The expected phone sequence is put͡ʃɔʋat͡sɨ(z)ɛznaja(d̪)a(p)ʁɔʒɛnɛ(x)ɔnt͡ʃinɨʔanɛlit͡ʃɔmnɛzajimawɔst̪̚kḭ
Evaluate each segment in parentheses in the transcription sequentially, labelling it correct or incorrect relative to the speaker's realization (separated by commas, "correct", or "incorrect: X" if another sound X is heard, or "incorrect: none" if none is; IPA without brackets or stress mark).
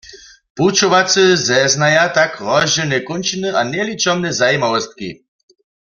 correct, incorrect: t̪, incorrect: k, incorrect: k